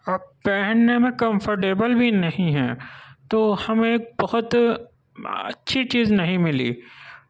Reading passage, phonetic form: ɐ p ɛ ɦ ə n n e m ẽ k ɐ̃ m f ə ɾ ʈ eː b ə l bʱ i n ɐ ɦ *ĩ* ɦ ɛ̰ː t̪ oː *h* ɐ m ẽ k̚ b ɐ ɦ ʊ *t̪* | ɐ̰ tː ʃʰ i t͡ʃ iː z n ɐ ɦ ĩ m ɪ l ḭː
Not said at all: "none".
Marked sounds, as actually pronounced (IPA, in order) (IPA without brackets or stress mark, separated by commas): ĩ, h, t̪